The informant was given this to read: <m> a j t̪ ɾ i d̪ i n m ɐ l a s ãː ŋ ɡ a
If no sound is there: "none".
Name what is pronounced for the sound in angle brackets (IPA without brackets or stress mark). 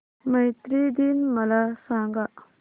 m